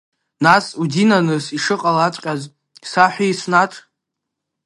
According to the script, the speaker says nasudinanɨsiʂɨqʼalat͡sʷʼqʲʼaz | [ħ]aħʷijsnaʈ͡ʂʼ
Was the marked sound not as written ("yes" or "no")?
yes